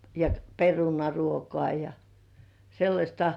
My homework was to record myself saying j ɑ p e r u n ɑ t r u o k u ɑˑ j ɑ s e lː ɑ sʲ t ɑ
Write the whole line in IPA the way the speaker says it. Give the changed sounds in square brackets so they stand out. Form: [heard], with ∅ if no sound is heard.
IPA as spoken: j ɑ p e r u n ɑ [∅] r u o k [o] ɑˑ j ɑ s e lː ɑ sʲ t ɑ

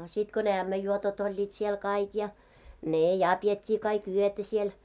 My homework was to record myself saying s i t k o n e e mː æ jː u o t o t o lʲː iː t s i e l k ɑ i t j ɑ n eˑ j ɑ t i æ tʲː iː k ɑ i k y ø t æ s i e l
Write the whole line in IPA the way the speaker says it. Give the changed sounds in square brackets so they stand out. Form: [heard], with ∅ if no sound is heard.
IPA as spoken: s i t k o n e [æ] mː æ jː u o t o t o lʲː iː t s i e l k ɑ i [k] j ɑ n eˑ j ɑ [p] i [e] tʲː iː k ɑ i k y ø t æ s i e l

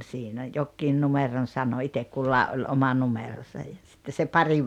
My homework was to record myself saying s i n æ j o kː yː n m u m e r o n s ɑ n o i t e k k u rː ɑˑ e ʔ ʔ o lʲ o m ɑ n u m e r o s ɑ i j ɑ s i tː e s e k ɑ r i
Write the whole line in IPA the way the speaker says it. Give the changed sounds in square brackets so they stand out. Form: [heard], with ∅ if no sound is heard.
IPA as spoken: s i n æ j o kː [iː] n [n] u m e r o n s ɑ n o i t e k k u [lː] ɑˑ e ʔ ʔ o lʲ o m ɑ n u m e r o s ɑ [j] j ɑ s i tː e s e [p] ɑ r i

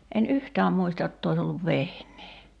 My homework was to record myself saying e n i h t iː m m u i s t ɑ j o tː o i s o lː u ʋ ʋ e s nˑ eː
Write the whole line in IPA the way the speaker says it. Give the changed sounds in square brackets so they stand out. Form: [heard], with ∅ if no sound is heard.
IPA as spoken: e n [y] h t [æː] m m u i s t ɑ j o tː o i s o lː u ʋ ʋ e [h] nˑ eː

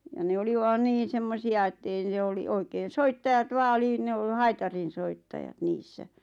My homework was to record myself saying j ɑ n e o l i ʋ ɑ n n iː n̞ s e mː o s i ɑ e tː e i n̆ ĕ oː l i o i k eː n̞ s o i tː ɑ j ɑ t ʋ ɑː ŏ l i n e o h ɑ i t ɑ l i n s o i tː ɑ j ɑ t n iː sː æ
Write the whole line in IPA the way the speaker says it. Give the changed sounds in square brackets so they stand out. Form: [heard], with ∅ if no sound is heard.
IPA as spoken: j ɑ n e o l i ʋ ɑ n n iː n̞ s e mː o s i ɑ e tː e i n̆ ĕ [o] l i o i k eː n̞ s o i tː ɑ j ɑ t ʋ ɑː ŏ l i n e o h ɑ i t ɑ [r] i n s o i tː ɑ j ɑ t n iː sː æ

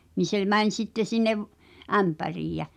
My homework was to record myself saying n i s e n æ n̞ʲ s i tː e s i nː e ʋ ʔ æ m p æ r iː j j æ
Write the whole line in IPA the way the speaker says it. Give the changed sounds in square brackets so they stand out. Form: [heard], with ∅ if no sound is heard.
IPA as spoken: n i s e [m] æ n̞ʲ s i tː e s i nː e ʋ ʔ æ m p æ r iː j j æ

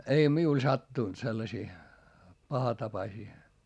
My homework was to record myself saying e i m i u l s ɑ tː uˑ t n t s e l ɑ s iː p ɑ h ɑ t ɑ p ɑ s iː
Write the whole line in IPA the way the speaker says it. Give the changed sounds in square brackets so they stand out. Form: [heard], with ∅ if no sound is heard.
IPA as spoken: e i m i u l s ɑ tː uˑ [∅] n t s e [lː] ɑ s iː p ɑ h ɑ t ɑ p ɑ s iː

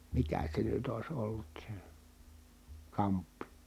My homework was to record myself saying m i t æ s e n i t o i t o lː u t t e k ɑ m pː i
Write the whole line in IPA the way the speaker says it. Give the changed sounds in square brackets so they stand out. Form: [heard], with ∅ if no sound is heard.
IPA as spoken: m i [k] æ s e n [y] t o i [s] o lː u t [s] e k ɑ m pː i

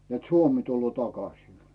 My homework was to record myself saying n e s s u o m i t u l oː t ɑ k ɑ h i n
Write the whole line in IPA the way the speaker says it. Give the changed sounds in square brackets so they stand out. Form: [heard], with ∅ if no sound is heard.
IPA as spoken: n e [t] s u o m i t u [lː] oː t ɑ k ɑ [s] i n

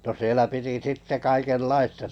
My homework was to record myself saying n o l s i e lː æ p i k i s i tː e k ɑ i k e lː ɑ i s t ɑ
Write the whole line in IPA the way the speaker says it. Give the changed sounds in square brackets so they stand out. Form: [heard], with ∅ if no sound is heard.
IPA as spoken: n o [∅] s i e [l] æ p i [t] i s i tː e k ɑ i k e lː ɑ i s t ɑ

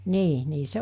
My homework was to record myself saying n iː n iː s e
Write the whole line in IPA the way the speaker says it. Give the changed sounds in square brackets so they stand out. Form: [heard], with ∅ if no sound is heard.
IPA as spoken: n iː n iː s e

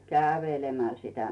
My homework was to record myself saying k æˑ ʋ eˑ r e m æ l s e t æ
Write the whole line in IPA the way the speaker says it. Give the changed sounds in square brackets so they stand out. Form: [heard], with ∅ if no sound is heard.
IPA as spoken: k æˑ ʋ eˑ [l] e m æ l s [i] t æ

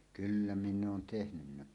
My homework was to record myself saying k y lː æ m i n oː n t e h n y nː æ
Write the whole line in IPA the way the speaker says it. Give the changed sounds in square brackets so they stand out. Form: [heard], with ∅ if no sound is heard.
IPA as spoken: k y lː æ m i [nː] oː n t e h n y nː æ

